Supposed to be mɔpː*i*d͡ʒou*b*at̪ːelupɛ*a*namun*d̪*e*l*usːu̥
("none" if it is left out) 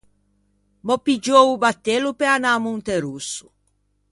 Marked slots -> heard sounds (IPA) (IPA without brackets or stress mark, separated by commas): i, b, a, t̪, ɾ